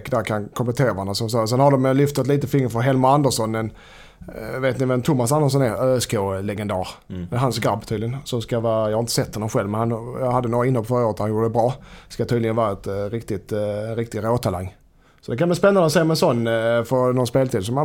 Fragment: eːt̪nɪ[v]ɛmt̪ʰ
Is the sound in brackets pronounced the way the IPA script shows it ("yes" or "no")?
yes